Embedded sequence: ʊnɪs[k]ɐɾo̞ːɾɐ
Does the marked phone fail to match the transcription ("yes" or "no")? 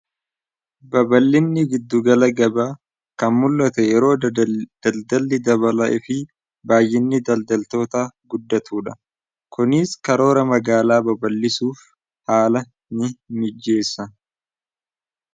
no